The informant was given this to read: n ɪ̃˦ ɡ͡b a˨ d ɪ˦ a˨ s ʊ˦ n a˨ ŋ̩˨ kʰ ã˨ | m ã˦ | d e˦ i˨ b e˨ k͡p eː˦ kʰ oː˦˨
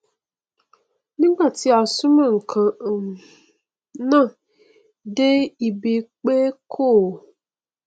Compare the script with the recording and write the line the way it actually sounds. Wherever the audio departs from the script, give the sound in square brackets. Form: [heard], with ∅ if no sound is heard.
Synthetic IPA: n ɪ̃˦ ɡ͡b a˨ [t] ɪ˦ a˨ s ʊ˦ [m] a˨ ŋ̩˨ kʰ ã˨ | [n] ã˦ | d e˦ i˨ b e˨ k͡p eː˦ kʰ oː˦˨